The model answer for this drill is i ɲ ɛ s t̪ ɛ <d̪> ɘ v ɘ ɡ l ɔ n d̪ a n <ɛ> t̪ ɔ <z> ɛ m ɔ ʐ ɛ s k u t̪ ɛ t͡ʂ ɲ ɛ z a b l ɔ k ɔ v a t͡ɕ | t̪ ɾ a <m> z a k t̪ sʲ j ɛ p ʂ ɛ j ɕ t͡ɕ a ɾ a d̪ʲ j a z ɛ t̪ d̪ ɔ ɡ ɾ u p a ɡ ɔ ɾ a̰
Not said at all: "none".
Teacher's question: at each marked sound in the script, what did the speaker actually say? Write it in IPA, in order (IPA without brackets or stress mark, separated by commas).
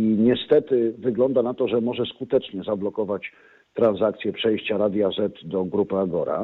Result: t̪, a, ʐ, n